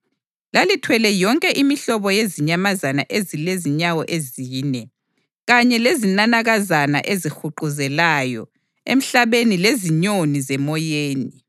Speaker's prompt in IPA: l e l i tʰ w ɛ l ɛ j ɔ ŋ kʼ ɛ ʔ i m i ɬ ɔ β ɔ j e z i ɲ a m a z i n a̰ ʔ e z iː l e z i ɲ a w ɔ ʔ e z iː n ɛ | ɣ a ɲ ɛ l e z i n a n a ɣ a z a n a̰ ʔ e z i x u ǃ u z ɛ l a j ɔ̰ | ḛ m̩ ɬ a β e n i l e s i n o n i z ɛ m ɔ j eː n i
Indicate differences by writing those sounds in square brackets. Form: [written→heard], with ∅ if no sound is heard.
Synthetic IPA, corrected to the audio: l [e→a] l i tʰ w ɛ l ɛ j ɔ ŋ kʼ ɛ ʔ i m i ɬ ɔ β ɔ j e z i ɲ a m a z [i→a] n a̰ ʔ e z [iː→i] l e z i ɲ a w ɔ ʔ e z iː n ɛ | ɣ a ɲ ɛ l e z i n a n a ɣ a z a n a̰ ʔ e z i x u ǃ u z ɛ l a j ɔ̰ | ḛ m̩ ɬ a β e n i l e [s→z] i [n→ɲ] o n i z ɛ m ɔ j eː n i